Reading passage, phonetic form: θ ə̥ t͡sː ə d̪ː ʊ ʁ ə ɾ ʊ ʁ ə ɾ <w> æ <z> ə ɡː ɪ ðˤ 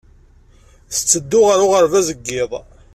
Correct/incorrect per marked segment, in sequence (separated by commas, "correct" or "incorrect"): incorrect, correct